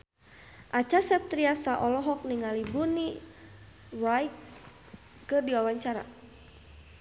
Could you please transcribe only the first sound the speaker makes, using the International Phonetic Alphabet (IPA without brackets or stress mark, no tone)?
ʔ